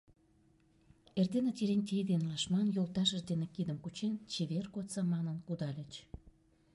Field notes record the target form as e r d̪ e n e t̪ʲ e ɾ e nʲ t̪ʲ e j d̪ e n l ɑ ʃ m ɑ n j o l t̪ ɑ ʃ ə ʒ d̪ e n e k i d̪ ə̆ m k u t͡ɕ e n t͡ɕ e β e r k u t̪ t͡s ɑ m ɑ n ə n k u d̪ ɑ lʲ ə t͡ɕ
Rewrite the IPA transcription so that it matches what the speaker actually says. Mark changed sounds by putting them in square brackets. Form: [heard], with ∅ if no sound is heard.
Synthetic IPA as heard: e r d̪ e n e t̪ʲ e ɾ e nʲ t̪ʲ e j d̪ e n l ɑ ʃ m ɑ n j o l t̪ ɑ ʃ ə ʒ d̪ e n e k i d̪ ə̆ m k u t͡ɕ e n t͡ɕ e β e r k [o] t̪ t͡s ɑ m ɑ n ə n k u d̪ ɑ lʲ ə t͡ɕ